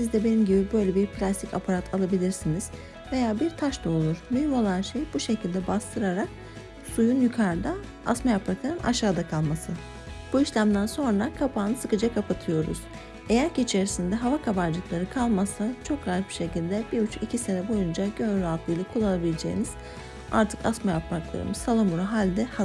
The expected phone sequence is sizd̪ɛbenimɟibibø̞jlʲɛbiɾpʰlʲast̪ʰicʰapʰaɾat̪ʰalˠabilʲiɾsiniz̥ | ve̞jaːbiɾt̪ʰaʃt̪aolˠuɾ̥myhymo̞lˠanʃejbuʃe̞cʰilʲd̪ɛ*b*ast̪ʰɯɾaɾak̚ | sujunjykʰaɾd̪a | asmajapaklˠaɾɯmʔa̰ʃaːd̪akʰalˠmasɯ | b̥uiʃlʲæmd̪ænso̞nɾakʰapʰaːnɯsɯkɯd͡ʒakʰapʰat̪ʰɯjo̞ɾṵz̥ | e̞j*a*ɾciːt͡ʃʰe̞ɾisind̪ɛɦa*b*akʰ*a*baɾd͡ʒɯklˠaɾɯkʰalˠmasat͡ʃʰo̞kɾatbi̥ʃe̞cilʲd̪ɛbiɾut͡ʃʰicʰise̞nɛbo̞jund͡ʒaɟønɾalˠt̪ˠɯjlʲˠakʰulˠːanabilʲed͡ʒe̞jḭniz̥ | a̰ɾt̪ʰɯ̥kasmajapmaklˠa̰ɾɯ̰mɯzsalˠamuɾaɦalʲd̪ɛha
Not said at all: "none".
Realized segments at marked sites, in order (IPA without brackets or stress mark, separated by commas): b, æ, v, a